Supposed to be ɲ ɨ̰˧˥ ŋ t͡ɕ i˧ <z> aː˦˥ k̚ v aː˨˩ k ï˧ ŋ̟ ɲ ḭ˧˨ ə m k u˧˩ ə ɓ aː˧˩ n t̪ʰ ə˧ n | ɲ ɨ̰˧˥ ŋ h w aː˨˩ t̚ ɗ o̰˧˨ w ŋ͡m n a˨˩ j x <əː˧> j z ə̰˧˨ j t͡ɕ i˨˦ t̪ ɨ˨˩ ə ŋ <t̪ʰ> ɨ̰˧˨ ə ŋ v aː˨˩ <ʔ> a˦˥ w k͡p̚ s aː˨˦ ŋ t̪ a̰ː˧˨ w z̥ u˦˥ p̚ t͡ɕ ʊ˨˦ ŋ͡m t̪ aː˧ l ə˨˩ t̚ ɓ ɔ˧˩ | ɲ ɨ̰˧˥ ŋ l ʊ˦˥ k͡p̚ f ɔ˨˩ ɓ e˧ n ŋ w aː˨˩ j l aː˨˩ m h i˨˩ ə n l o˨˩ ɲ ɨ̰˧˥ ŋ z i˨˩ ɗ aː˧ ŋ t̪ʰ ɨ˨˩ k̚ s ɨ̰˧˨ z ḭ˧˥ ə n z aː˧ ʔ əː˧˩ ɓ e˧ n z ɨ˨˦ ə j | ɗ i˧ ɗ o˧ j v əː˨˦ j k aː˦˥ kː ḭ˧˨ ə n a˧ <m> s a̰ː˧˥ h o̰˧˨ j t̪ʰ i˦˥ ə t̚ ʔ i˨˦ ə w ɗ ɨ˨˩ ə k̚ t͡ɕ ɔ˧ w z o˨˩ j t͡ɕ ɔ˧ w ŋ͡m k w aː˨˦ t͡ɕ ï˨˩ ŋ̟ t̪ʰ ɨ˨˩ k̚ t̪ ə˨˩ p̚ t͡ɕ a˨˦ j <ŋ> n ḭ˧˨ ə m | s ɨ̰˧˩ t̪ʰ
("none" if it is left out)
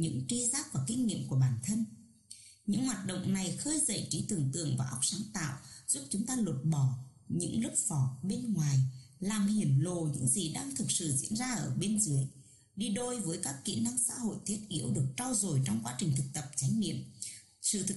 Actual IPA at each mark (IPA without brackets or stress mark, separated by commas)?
z, əː˧, t̪, ʔ, ŋ, ŋ